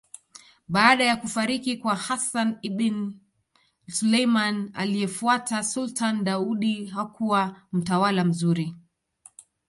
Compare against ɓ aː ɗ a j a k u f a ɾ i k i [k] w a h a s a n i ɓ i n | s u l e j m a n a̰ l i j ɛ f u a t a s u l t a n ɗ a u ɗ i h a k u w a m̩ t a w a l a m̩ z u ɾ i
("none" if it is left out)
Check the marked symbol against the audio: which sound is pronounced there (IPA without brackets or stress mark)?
k